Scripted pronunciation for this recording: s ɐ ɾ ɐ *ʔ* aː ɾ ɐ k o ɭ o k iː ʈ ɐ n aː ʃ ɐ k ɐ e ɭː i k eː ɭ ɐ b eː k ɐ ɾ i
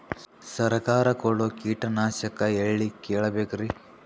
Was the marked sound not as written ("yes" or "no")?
yes